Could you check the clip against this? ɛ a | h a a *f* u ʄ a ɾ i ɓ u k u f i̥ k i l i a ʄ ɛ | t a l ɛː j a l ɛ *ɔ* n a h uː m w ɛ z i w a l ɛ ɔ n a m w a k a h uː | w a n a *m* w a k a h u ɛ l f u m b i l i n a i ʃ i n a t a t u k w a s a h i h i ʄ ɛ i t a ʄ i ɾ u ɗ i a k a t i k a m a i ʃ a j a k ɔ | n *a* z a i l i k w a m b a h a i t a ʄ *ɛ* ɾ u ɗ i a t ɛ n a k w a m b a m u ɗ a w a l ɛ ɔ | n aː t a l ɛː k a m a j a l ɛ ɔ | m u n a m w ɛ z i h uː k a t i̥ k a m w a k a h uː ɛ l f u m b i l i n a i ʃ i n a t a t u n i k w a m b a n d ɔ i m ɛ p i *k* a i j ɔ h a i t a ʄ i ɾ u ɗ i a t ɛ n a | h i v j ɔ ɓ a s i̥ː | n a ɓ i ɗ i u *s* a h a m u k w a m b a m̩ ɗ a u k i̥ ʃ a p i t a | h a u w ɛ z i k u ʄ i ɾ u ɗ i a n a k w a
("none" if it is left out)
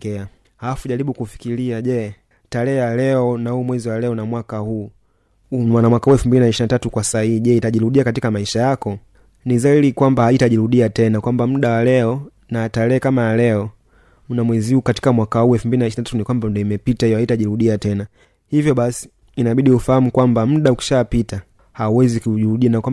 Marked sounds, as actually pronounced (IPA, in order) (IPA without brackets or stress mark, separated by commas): f, ɔ, m, i, i, t, f